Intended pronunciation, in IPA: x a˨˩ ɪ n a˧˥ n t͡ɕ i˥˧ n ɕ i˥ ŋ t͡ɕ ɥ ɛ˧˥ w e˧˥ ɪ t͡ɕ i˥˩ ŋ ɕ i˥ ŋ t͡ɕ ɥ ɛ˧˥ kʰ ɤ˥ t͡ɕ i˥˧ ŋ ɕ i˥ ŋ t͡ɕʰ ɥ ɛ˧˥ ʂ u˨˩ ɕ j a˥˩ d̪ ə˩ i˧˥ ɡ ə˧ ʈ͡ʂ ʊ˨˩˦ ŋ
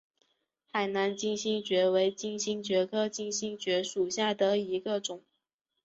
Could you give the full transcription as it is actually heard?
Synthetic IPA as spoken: x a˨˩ ɪ n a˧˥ n t͡ɕ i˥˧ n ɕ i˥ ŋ t͡ɕ ɥ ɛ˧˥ w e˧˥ ɪ t͡ɕ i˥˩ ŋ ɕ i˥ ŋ t͡ɕ ɥ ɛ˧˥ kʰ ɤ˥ t͡ɕ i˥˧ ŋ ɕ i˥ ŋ t͡ɕ ɥ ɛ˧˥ ʂ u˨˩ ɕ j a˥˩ d̪ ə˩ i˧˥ ɡ ə˧ ʈ͡ʂ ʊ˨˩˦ ŋ